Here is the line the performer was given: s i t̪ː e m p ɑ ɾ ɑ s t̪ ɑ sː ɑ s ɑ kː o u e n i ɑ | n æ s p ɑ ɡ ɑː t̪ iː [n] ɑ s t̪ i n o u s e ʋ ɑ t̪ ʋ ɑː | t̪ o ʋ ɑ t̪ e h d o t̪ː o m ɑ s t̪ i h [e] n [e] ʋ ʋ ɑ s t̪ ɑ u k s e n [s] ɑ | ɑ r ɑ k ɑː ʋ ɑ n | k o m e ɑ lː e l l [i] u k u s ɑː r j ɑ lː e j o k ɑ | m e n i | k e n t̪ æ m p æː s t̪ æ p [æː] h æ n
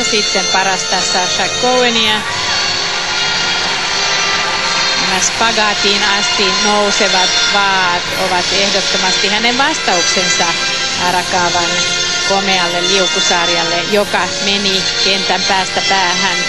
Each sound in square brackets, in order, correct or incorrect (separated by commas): correct, incorrect, correct, correct, correct, correct